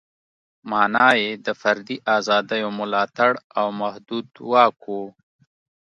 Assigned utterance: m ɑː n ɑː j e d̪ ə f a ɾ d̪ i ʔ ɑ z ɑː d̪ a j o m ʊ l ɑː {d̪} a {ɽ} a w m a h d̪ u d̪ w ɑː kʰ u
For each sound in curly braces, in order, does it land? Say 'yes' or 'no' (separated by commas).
no, yes